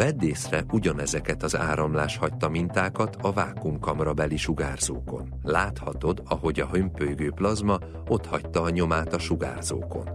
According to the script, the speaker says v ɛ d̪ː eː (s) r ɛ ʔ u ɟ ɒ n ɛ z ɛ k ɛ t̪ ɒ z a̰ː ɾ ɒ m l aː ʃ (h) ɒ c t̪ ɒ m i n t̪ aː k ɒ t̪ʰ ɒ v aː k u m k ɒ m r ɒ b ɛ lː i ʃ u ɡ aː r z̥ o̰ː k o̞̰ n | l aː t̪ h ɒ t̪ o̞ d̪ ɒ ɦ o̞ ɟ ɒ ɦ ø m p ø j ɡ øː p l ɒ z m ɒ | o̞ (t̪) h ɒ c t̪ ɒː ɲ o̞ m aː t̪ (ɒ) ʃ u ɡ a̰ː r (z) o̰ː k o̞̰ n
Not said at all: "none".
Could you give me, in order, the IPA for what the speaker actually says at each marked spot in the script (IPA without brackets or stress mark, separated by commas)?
s, h, t̪, ɒ, z